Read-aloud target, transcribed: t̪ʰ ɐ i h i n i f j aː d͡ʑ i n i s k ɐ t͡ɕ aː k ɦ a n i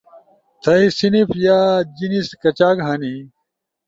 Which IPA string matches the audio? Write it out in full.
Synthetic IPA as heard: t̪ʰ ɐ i s i n i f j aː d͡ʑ i n i s k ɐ t͡ɕ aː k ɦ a n i